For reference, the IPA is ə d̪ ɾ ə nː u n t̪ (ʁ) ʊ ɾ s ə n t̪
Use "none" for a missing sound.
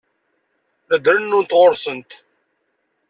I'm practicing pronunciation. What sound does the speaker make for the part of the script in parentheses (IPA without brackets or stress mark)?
ʁ